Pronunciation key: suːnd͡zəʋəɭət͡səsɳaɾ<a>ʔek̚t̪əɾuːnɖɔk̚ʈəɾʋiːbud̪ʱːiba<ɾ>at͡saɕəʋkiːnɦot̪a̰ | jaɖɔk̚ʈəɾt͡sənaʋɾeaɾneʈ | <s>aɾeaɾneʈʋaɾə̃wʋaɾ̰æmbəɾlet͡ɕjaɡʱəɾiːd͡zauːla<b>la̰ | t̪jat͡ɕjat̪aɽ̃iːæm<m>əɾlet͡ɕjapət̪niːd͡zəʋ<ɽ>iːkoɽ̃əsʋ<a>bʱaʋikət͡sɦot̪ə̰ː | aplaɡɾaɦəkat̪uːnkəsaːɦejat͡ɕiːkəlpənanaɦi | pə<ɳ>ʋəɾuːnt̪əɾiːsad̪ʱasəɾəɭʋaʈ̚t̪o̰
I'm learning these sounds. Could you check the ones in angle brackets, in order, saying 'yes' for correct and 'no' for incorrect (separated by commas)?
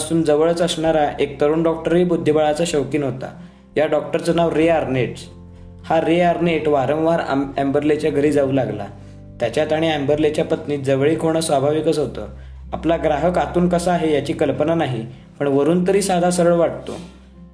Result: yes, no, no, no, no, no, yes, yes